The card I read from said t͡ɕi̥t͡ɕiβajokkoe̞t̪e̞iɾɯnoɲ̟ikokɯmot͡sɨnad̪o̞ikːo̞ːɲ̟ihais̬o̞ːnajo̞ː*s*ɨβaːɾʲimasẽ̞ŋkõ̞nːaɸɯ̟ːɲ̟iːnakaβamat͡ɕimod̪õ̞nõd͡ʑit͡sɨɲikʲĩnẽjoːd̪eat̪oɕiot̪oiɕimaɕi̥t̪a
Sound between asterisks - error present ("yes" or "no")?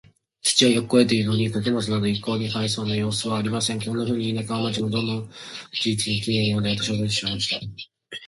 no